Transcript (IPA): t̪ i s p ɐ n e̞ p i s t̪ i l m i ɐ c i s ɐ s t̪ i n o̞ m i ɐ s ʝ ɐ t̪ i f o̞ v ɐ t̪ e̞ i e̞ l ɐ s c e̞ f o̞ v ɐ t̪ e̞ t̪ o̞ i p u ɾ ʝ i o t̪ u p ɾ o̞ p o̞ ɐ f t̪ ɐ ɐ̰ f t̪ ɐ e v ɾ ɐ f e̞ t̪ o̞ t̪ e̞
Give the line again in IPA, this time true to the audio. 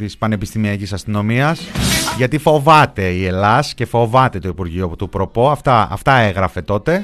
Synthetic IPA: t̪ i s p ɐ n e̞ p i s t̪ i m i ɐ c i s ɐ s t̪ i n o̞ m i ɐ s ʝ ɐ t̪ i f o̞ v ɐ t̪ e̞ i e̞ l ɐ s c e̞ f o̞ v ɐ t̪ e̞ t̪ o̞ i p u ɾ ʝ i o t̪ u p ɾ o̞ p o̞ ɐ f t̪ ɐ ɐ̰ f t̪ ɐ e ɣ ɾ ɐ f e̞ t̪ o̞ t̪ e̞